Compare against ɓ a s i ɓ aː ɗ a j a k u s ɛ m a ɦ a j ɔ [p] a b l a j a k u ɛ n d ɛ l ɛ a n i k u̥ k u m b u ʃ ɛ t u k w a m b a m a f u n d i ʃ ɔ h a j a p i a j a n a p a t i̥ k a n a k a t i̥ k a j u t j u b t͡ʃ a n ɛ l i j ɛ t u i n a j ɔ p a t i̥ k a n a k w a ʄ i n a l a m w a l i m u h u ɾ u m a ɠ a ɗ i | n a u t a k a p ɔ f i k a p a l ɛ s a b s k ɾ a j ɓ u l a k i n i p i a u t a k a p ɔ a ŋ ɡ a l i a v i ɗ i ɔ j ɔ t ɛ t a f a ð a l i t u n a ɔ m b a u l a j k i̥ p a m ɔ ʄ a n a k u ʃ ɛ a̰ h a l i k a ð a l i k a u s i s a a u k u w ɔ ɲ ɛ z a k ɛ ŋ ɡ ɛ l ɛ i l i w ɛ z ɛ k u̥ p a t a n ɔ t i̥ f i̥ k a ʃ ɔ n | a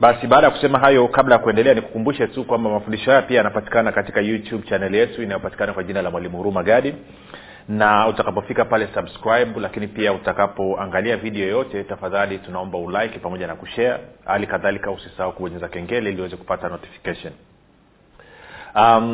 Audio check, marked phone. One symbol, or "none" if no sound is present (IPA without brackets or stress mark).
k